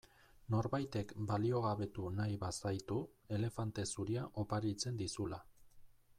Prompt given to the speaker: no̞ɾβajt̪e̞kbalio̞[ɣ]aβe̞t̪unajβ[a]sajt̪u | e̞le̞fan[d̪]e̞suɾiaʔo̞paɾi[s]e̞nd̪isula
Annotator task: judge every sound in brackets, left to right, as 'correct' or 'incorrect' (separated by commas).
correct, correct, incorrect, incorrect